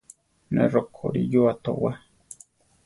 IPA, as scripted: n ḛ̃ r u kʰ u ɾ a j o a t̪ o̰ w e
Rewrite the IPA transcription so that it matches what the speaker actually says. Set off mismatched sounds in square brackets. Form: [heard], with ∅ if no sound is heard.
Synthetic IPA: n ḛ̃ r [o] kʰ [o] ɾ [i] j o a t̪ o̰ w [a]